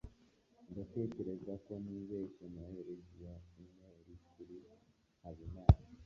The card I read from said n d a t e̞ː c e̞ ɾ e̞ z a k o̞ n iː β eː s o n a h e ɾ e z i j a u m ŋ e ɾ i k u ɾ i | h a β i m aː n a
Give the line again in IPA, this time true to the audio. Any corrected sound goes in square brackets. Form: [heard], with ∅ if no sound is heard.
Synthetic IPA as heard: n d a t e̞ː c e̞ ɾ e̞ z a k o̞ n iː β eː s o n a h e ɾ e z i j a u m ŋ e ɾ i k u ɾ i | h a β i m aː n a